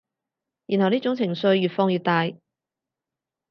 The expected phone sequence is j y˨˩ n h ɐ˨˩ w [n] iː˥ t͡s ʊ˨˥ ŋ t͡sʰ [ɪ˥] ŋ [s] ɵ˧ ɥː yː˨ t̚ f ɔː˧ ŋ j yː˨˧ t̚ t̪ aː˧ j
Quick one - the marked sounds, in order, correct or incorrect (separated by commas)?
correct, incorrect, correct